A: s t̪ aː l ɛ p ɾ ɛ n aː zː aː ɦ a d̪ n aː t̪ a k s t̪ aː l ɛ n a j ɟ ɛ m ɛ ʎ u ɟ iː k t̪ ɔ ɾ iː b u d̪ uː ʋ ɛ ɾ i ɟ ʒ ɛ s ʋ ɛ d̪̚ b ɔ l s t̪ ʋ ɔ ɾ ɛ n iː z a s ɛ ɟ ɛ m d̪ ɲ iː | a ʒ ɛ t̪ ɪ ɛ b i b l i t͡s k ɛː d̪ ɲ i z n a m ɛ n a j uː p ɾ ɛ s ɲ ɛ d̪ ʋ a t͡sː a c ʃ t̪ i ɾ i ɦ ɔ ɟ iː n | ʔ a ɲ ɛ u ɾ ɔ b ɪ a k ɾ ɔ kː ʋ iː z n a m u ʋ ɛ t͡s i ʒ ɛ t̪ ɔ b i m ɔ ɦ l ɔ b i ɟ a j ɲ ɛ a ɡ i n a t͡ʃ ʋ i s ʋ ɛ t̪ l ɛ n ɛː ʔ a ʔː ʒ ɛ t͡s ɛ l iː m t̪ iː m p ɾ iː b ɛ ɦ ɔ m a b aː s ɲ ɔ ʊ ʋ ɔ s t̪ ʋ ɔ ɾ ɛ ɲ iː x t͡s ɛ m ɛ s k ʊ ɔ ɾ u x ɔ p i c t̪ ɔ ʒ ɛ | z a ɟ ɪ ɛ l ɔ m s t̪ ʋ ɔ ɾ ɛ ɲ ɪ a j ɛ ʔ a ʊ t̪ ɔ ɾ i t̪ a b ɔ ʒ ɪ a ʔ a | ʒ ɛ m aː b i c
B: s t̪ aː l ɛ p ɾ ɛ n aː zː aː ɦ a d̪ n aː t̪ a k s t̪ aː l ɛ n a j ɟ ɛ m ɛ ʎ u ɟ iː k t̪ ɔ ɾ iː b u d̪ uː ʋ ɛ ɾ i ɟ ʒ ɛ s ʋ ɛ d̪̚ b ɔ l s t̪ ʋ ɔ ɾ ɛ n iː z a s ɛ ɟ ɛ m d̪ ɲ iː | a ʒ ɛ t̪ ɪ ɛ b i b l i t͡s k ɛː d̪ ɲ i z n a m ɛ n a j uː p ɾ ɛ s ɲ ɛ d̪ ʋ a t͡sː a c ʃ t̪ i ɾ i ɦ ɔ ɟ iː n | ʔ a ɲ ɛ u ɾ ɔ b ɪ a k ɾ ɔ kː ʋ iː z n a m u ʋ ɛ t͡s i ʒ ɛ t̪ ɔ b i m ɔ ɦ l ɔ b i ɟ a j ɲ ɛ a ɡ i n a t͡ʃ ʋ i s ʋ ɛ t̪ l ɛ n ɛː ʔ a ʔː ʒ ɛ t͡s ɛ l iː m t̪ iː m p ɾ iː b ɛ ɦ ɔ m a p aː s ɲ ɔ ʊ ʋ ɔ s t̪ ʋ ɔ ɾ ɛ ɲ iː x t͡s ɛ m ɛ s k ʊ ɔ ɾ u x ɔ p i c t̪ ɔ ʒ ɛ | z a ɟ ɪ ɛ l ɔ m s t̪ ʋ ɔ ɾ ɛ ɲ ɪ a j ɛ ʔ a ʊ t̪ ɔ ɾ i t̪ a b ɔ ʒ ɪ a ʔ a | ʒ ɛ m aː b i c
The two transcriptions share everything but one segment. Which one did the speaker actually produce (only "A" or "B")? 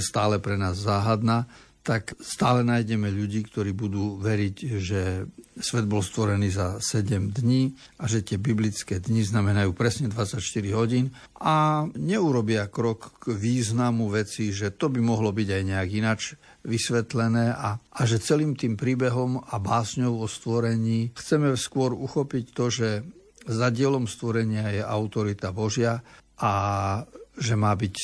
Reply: A